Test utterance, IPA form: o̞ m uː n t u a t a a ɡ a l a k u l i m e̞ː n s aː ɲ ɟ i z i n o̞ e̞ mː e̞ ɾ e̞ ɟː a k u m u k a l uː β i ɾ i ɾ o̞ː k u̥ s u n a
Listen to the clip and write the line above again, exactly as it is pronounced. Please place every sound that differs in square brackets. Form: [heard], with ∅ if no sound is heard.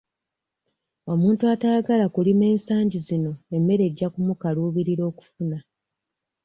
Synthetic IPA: o̞ m uː n t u a t a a ɡ a l a k u l i m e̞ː n s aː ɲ ɟ i z i n o̞ e̞ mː e̞ ɾ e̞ ɟː a k u m u k a l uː β i ɾ i ɾ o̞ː k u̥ [f] u n a